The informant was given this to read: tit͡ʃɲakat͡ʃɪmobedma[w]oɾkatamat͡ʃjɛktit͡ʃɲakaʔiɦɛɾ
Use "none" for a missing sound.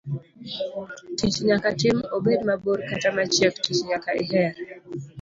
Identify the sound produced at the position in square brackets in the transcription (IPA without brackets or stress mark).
b